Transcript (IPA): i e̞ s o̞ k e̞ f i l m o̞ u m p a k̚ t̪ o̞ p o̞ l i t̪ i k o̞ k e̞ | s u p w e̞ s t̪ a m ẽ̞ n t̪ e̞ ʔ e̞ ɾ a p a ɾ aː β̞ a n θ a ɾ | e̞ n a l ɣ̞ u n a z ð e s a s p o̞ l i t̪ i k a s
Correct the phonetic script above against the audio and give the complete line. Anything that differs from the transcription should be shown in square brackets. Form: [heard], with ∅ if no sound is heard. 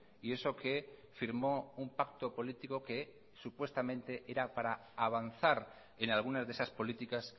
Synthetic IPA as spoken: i e̞ s o̞ k e̞ f i [ɾ] m o̞ u m p a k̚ t̪ o̞ p o̞ l i t̪ i k o̞ k e̞ | s u p w e̞ s t̪ a m ẽ̞ n t̪ e̞ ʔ e̞ ɾ a p a ɾ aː β̞ a n θ a ɾ | e̞ n a l ɣ̞ u n a z ð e s a s p o̞ l i t̪ i k a s